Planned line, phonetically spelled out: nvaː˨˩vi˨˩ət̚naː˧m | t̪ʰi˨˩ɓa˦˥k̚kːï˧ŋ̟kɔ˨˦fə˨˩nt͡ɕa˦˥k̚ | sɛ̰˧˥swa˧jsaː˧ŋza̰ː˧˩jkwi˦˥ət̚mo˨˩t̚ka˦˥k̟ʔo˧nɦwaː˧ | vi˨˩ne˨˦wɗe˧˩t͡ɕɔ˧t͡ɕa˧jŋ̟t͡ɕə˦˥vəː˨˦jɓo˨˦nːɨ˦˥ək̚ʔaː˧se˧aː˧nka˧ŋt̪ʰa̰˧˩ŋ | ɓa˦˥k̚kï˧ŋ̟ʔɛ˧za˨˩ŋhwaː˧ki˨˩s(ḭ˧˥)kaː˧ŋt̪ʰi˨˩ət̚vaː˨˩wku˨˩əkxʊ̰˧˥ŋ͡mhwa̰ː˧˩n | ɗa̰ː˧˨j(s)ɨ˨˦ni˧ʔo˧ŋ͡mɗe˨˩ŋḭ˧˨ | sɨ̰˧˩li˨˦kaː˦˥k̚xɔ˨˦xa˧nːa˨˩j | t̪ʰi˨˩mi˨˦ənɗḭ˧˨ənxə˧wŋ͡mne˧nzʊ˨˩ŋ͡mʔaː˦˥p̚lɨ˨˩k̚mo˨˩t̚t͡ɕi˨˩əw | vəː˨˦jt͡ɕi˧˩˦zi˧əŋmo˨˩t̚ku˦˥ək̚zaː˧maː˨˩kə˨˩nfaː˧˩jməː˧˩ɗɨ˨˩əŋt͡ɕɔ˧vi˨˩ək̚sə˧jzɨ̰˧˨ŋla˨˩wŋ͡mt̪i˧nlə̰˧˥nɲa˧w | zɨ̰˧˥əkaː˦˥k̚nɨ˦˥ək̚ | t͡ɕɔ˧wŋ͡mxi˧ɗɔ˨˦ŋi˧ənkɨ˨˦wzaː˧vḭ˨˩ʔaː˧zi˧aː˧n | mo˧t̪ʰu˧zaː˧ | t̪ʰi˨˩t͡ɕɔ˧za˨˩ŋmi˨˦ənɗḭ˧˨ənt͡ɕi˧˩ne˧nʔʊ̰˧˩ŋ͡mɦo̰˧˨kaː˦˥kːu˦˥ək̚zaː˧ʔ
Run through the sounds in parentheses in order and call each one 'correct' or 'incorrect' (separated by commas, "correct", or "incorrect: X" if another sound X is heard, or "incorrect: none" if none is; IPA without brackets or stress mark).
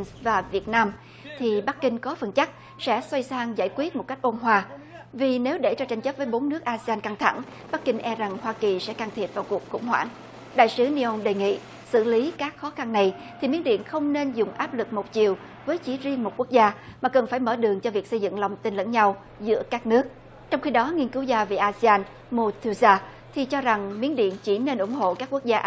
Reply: incorrect: ɛ̰˧˥, correct